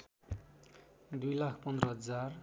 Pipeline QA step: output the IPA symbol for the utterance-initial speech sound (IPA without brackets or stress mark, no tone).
d̪